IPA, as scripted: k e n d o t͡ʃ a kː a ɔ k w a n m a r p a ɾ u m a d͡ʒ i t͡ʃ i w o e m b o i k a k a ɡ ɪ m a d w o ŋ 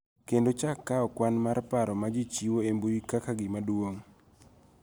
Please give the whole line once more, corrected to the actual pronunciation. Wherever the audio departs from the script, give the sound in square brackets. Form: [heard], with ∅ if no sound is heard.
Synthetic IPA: k e n d o t͡ʃ a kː a ɔ k w a n m a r p a ɾ [ɔ] m a d͡ʒ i t͡ʃ i w o e m b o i k a k a ɡ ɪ m a d w o ŋ